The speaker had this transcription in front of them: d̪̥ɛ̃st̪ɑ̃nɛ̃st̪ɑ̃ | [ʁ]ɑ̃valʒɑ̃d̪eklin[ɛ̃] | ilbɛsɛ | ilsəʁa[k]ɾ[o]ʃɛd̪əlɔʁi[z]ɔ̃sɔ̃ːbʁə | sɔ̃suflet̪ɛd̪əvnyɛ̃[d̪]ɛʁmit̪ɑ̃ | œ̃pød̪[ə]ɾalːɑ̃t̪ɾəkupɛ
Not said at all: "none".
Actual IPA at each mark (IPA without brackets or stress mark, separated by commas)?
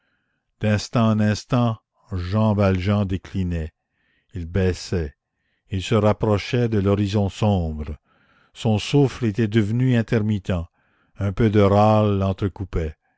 ʒ, ɛ, p, ɔ, z, t̪, ə